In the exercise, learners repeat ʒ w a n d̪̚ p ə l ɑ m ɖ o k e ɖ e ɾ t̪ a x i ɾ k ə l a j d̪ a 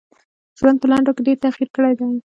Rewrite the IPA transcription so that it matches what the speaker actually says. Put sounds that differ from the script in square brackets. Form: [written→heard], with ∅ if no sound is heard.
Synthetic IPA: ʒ w a n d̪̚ p ə l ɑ [m→ɳ] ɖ o k e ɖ e ɾ t̪ a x i ɾ k ə [l→ɽ] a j d̪ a